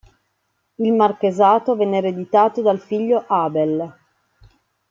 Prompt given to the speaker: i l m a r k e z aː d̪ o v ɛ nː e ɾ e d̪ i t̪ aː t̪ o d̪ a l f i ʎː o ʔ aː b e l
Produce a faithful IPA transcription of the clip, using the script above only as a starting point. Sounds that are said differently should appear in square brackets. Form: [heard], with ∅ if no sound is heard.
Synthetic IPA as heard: i l m a r k e z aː [t̪] o v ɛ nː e ɾ e d̪ i t̪ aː t̪ o d̪ a l f i ʎː o ʔ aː b e l